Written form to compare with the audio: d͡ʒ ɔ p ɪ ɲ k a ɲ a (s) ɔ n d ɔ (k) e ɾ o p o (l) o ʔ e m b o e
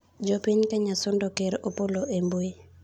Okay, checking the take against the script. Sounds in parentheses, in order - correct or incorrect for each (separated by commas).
correct, correct, correct